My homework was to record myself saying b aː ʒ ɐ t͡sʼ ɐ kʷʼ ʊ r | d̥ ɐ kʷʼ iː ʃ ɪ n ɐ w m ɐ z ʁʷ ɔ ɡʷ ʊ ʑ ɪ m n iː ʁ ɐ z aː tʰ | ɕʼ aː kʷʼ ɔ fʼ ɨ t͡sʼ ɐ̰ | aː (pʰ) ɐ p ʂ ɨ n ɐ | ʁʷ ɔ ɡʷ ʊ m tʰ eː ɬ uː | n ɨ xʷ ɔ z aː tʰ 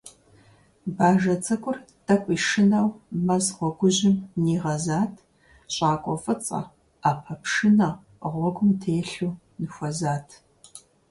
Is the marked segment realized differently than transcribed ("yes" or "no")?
no